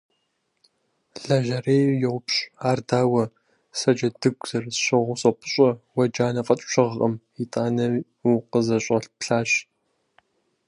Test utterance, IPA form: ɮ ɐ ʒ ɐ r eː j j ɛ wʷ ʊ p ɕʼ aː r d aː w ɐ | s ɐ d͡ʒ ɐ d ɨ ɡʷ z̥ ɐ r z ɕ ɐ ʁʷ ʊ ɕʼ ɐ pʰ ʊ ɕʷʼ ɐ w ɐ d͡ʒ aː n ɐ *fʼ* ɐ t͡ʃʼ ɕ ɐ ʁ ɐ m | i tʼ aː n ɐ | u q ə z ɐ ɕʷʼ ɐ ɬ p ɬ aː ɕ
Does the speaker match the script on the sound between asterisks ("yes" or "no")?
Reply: yes